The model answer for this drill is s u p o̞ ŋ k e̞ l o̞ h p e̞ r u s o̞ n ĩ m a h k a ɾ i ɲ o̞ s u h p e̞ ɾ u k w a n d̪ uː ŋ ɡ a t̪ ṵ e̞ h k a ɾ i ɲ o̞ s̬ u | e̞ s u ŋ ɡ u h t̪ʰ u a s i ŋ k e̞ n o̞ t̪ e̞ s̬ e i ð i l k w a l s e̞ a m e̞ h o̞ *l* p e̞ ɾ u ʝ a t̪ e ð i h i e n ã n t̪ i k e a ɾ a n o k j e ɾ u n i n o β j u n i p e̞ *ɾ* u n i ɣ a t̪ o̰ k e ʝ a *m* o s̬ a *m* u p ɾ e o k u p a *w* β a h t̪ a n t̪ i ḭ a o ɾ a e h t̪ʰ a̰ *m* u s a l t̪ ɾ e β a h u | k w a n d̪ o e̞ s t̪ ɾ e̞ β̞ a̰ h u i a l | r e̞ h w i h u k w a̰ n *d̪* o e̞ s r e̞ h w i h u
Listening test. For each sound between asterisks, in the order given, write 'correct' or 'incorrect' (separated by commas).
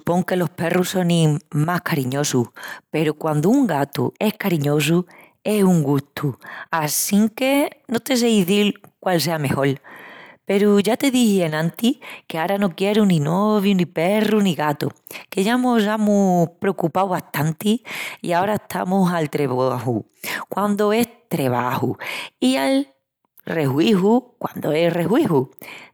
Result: correct, incorrect, correct, correct, correct, correct, correct